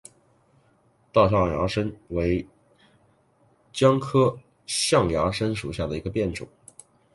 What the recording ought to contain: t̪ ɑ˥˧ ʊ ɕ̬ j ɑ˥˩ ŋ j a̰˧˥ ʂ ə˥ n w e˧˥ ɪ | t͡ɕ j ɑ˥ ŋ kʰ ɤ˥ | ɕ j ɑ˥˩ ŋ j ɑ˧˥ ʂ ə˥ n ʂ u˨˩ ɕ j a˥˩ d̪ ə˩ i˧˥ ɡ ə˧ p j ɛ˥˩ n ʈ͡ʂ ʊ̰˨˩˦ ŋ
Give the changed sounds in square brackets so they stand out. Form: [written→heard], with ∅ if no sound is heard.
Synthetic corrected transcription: t̪ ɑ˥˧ ʊ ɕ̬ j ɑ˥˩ ŋ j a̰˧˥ ʂ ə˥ n w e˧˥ ɪ | t͡ɕ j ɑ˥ ŋ kʰ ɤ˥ | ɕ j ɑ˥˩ ŋ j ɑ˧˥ ʂ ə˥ n ʂ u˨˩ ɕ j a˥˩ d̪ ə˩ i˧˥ ɡ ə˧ p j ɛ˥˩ n ʈ͡ʂ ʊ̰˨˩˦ ŋ

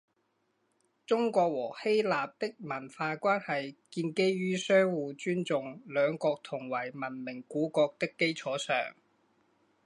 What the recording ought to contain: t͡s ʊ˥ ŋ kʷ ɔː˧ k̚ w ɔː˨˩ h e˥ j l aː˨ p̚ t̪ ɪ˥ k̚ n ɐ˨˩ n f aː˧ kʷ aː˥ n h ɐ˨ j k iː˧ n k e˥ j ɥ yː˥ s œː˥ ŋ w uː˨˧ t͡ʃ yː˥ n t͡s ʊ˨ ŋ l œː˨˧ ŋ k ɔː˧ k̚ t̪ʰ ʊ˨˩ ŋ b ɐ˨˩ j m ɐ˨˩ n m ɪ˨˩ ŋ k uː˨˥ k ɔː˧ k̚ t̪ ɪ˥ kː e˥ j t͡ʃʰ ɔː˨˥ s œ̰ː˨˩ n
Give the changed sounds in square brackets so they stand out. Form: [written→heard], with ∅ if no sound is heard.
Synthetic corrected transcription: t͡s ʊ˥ ŋ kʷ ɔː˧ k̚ w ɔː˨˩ h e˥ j l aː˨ p̚ t̪ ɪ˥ k̚ [n→m] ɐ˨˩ n f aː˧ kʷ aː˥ n h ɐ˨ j k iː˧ n k e˥ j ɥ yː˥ s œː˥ ŋ w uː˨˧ t͡ʃ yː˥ n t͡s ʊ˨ ŋ l œː˨˧ ŋ k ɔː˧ k̚ t̪ʰ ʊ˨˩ ŋ [b→w] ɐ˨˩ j m ɐ˨˩ n m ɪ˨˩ ŋ k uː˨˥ k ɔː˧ k̚ t̪ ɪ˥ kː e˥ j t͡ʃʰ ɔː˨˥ s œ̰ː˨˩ [n→ŋ]

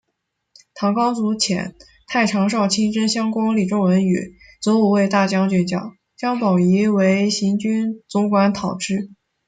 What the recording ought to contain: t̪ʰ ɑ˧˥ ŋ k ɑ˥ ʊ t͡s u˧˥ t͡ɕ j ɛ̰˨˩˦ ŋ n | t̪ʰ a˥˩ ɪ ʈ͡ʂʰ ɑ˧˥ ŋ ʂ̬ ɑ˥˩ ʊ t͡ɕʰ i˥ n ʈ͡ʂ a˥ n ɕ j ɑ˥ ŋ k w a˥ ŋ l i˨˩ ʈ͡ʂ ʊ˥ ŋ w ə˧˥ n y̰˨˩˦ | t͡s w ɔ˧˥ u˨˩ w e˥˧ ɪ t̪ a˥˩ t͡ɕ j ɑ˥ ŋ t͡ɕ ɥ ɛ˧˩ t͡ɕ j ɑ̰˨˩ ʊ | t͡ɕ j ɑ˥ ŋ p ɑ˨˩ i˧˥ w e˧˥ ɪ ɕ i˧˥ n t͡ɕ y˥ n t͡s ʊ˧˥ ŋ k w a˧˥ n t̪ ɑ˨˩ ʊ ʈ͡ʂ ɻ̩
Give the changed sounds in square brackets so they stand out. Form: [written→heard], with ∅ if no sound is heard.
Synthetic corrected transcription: t̪ʰ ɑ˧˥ ŋ k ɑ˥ ʊ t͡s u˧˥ [t͡ɕ→t͡ɕʰ] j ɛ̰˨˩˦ [ŋ→∅] n | t̪ʰ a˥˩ ɪ ʈ͡ʂʰ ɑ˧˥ ŋ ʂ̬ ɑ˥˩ ʊ t͡ɕʰ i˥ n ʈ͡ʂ [a˥→ə˥] n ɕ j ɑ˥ ŋ k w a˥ ŋ l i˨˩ ʈ͡ʂ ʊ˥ ŋ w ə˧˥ n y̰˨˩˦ | t͡s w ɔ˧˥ u˨˩ w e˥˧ ɪ t̪ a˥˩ t͡ɕ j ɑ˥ ŋ t͡ɕ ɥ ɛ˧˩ t͡ɕ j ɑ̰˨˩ ʊ | t͡ɕ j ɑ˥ ŋ p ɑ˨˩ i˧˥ w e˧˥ ɪ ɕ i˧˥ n t͡ɕ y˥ n t͡s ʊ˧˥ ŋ k w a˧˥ n [t̪→t̪ʰ] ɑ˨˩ ʊ ʈ͡ʂ ɻ̩

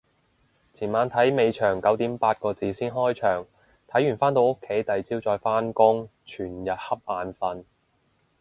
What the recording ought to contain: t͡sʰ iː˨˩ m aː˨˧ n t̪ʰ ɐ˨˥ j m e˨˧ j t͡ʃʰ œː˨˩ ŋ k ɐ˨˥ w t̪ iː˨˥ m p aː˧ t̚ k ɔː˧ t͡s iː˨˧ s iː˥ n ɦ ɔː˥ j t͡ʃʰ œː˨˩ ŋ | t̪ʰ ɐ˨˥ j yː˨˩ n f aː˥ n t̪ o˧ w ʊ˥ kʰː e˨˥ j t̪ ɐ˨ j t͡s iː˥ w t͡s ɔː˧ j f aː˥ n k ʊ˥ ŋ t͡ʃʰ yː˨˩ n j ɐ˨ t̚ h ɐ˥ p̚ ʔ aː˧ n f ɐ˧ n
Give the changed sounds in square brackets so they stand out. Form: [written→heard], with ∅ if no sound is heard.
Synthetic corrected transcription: t͡sʰ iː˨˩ m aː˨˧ n t̪ʰ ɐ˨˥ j m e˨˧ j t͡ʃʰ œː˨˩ ŋ k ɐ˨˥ w t̪ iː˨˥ m p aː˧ t̚ k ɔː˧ t͡s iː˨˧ s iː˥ n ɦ ɔː˥ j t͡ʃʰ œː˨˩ ŋ | t̪ʰ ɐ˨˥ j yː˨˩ n f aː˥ n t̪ o˧ w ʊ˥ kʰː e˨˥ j t̪ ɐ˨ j t͡s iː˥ w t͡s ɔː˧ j f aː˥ n k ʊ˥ ŋ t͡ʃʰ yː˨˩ n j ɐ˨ t̚ h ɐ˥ p̚ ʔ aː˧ n f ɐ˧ n

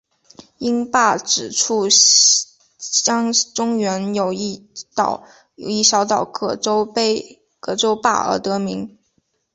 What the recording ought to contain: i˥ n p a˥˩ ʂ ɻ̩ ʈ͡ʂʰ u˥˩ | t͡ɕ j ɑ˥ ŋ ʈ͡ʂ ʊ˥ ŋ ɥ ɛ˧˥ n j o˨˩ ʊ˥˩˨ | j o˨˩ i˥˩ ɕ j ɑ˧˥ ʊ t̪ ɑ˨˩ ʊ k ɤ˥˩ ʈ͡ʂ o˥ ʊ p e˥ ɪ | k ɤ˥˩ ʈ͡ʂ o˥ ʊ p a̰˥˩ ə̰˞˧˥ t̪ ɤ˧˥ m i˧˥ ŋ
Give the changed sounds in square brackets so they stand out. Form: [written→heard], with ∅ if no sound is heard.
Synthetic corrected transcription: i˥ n p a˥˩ [ʂ→ʈ͡ʂ] ɻ̩ ʈ͡ʂʰ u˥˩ | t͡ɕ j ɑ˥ ŋ ʈ͡ʂ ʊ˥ ŋ ɥ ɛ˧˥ n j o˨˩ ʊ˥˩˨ | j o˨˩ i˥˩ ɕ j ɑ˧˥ ʊ t̪ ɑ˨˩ ʊ k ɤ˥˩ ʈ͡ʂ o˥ ʊ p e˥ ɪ | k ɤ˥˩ ʈ͡ʂ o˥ ʊ p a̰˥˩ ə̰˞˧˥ t̪ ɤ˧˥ m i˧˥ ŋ

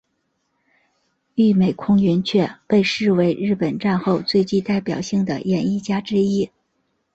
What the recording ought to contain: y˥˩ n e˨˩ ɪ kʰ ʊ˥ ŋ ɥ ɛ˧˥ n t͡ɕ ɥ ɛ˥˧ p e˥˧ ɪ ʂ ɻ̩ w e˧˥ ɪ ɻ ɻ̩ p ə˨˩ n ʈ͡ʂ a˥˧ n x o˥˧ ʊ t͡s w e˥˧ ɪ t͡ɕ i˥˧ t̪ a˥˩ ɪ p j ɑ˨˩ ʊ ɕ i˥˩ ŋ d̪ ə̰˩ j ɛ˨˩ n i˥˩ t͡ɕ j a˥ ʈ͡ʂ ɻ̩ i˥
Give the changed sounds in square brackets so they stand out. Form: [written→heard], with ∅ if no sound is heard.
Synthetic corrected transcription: y˥˩ [n→m] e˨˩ ɪ kʰ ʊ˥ ŋ ɥ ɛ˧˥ n [t͡ɕ→t͡ɕʰ] ɥ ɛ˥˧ p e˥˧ ɪ ʂ ɻ̩ w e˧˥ ɪ ɻ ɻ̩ p ə˨˩ n ʈ͡ʂ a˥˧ n x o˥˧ ʊ t͡s w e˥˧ ɪ t͡ɕ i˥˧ t̪ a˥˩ ɪ p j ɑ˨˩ ʊ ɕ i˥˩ ŋ d̪ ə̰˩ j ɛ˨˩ n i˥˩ t͡ɕ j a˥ ʈ͡ʂ ɻ̩ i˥

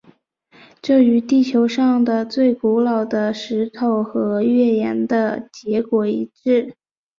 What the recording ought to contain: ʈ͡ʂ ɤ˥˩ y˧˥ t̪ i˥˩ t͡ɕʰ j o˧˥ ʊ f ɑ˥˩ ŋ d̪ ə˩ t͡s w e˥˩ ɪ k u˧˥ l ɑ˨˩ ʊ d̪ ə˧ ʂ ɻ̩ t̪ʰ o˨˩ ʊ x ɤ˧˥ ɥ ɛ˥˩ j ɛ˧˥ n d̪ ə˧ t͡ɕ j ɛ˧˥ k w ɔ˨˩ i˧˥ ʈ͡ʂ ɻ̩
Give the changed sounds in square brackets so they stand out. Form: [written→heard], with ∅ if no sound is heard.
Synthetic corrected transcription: ʈ͡ʂ ɤ˥˩ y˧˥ t̪ i˥˩ t͡ɕʰ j o˧˥ ʊ [f→ʂ] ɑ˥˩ ŋ d̪ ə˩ t͡s w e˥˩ ɪ k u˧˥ l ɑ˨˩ ʊ d̪ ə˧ ʂ ɻ̩ t̪ʰ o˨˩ ʊ x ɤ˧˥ ɥ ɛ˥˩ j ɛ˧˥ n d̪ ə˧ t͡ɕ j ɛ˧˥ k w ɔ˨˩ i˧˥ ʈ͡ʂ ɻ̩

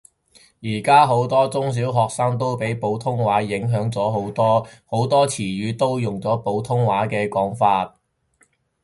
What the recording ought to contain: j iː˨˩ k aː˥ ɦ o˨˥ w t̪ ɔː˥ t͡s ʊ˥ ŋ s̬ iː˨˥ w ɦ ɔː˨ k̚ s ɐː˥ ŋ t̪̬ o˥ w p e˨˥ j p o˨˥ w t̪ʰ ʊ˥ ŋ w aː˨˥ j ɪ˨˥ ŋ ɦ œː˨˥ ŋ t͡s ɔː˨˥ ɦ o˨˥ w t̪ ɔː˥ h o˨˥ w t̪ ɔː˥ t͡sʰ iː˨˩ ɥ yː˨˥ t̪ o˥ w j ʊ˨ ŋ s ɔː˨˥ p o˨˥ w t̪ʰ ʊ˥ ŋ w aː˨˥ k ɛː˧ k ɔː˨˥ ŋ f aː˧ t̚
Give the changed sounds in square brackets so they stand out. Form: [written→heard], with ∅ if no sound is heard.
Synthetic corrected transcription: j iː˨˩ k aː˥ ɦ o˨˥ w t̪ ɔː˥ t͡s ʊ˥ ŋ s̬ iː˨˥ w ɦ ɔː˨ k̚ s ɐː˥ ŋ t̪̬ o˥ w p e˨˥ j p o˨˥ w t̪ʰ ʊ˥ ŋ w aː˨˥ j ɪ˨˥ ŋ ɦ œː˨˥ ŋ t͡s ɔː˨˥ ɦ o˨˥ w t̪ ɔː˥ h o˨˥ w t̪ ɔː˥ t͡sʰ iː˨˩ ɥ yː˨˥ t̪ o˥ w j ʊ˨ ŋ [s→t͡s] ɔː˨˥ p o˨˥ w t̪ʰ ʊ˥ ŋ w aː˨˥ k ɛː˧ k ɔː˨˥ ŋ f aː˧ t̚

